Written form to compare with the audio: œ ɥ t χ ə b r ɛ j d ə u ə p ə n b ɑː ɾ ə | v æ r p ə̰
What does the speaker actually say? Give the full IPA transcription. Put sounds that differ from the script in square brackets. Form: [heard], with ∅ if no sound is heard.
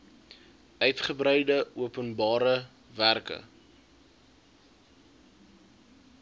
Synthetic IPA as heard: œ ɥ t χ ə b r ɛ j d ə u ə p ə n b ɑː ɾ ə | v æ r [k] ə̰